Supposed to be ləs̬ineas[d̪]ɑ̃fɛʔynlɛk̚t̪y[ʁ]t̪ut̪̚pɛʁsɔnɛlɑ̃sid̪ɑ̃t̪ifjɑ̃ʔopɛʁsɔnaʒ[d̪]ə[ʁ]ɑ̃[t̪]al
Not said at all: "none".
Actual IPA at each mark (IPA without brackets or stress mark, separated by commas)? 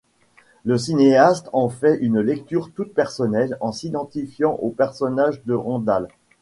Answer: t̪, ʁ, d̪, ʁ, d̪